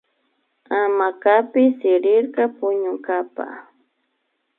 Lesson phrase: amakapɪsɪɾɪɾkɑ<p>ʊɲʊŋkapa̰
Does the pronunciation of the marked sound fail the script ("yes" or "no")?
no